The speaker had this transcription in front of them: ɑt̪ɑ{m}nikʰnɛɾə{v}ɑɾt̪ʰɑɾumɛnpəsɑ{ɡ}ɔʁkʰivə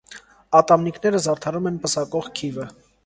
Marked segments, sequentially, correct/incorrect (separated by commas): correct, incorrect, incorrect